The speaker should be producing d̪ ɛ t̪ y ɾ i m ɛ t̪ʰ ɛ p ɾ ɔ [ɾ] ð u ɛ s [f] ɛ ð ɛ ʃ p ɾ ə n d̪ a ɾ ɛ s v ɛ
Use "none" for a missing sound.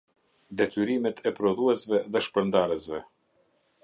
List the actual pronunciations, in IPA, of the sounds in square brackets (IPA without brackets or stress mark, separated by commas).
none, v